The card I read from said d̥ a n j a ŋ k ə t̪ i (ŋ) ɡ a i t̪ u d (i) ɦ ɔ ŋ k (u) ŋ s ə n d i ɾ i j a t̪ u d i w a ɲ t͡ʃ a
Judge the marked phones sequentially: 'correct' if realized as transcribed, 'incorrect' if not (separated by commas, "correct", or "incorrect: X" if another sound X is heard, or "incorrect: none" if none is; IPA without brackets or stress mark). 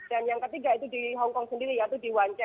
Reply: incorrect: none, correct, incorrect: ɔ